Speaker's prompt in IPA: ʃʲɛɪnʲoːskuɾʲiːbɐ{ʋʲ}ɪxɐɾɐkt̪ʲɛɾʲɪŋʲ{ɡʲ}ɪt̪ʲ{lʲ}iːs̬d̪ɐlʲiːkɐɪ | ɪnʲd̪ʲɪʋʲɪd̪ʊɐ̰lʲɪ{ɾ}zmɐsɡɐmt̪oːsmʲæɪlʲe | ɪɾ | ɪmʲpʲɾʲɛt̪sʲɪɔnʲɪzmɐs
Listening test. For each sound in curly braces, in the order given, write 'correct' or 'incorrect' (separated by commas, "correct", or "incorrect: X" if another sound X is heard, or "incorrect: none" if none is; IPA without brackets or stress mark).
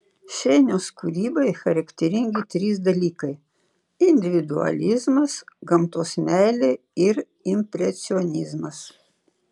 incorrect: none, correct, incorrect: ɾʲ, incorrect: none